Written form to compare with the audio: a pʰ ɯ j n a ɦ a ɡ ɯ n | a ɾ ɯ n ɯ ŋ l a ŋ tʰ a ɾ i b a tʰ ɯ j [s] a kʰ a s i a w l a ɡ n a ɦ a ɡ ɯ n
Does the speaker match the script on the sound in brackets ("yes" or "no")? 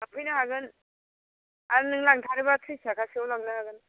yes